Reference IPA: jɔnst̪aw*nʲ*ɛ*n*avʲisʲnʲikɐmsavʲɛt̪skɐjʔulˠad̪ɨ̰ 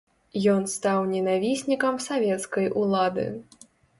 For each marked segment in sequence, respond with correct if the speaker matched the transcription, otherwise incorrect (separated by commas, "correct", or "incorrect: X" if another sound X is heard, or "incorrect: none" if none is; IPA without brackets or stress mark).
correct, correct